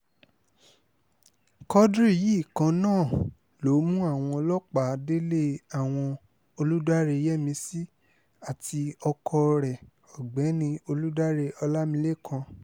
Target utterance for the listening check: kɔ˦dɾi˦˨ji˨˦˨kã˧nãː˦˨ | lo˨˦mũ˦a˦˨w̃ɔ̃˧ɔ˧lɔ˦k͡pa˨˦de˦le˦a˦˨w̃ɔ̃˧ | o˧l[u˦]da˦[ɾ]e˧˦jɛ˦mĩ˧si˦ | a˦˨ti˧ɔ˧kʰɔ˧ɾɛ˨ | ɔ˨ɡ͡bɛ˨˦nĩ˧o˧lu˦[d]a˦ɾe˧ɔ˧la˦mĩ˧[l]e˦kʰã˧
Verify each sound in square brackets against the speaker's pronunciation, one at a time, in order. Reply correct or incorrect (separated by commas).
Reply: correct, correct, correct, correct